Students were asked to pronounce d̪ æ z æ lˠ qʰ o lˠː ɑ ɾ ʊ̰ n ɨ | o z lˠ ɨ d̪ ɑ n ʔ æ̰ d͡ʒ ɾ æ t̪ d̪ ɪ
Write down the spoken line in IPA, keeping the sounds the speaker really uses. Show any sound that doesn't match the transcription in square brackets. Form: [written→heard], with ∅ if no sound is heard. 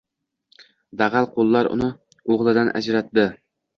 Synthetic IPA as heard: d̪ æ [z→ʁ] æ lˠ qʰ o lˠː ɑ ɾ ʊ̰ n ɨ | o [z→ʁ] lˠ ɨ d̪ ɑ n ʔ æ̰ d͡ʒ ɾ æ t̪ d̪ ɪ